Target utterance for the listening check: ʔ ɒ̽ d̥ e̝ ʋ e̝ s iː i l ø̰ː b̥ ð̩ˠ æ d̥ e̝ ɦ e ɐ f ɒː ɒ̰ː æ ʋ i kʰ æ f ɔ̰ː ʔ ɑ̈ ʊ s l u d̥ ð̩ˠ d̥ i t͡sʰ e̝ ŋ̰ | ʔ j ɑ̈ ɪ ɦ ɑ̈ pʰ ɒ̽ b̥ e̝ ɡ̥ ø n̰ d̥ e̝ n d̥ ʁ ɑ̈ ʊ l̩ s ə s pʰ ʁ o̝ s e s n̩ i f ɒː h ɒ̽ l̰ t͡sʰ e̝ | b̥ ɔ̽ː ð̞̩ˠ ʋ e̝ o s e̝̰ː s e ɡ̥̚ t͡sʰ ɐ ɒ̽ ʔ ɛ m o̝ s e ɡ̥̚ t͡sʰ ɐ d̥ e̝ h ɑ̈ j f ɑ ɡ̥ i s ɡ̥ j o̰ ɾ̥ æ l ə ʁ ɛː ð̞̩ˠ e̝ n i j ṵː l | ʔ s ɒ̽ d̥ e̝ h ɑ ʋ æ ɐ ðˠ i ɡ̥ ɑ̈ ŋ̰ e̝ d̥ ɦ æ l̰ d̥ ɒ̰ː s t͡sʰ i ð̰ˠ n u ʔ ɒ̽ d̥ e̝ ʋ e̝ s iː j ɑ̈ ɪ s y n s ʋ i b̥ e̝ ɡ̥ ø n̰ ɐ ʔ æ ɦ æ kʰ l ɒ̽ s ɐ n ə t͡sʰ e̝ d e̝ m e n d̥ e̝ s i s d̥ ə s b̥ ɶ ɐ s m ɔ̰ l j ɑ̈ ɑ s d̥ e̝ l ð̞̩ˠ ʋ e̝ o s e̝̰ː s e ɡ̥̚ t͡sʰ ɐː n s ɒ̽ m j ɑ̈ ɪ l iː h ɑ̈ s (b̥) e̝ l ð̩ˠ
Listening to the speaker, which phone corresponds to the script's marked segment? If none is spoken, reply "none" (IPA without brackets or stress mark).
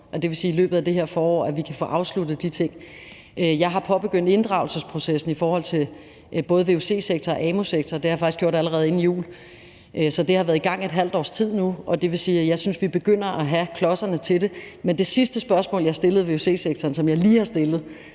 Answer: d̥